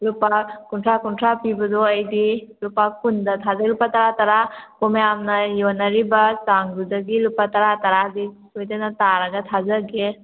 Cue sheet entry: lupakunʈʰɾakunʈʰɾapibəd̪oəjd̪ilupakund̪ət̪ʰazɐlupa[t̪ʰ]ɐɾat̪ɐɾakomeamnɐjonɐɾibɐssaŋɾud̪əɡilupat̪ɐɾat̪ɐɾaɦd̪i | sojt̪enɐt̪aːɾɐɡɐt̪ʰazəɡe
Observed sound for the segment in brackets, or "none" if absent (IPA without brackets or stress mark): t̪